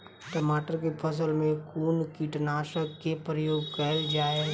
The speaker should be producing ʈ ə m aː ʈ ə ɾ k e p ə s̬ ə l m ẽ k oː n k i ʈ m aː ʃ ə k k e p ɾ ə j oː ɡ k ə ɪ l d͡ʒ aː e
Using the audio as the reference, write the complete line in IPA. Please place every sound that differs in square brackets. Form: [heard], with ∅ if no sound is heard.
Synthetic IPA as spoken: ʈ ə m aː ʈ ə ɾ k e [pʰ] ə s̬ ə l m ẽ k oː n k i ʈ [n] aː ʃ ə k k e p ɾ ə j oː ɡ k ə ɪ l d͡ʒ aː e